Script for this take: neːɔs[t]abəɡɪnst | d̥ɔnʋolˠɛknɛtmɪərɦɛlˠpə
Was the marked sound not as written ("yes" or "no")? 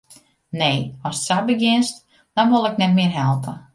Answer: yes